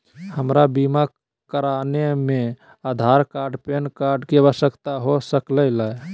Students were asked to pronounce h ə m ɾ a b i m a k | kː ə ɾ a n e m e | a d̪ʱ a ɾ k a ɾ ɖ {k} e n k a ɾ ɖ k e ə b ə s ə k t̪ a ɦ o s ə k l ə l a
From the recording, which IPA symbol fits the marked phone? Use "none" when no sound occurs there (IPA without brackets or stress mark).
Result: p